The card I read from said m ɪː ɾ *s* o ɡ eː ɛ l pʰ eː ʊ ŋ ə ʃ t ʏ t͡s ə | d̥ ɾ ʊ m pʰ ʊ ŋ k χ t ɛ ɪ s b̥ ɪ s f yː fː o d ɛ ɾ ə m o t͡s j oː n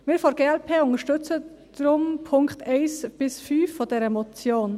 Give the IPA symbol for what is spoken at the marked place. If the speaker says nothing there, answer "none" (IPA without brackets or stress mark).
f